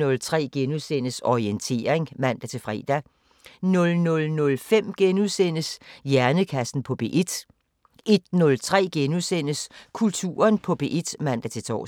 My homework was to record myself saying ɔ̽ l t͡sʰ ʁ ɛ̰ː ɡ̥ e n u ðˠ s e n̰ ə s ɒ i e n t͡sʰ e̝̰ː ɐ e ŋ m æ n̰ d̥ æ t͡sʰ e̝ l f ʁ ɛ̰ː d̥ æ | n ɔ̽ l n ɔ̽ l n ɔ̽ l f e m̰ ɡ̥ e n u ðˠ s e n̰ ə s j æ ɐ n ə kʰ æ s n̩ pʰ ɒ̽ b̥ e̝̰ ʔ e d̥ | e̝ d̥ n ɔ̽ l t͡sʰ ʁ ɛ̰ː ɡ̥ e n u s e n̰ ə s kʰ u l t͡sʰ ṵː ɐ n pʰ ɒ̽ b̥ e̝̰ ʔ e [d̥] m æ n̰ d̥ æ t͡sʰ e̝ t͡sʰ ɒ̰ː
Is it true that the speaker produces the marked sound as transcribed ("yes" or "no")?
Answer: yes